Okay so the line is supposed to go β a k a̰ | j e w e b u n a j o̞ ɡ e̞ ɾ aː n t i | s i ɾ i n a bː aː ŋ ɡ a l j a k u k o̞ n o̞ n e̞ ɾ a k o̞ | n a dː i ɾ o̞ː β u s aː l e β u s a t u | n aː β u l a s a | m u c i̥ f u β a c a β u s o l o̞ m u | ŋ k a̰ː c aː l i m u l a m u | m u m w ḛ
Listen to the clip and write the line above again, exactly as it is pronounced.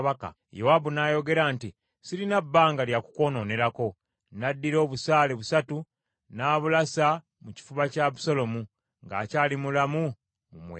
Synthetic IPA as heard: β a k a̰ | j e w a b u n a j o̞ ɡ e̞ ɾ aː n t i | s i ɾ i n a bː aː ŋ ɡ a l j a k u k o̞ n o̞ n e̞ ɾ a k o̞ | n a dː i ɾ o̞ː β u s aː l e β u s a t u | n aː β u l a s a | m u c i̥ f u β a c a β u s o l o̞ m u | ŋ ɡ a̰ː c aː l i m u l a m u | m u m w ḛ